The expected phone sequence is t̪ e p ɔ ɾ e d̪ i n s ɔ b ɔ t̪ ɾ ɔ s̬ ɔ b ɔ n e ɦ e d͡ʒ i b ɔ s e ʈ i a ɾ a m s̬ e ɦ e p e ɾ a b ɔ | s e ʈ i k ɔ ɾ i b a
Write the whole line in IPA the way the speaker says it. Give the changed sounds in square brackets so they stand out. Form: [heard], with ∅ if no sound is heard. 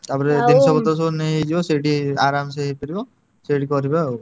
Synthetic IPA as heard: t̪ [a] p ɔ ɾ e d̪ i n s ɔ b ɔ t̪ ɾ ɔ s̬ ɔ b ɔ n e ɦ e d͡ʒ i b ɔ s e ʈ i a ɾ a m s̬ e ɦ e p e ɾ [i] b ɔ | s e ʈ i k ɔ ɾ i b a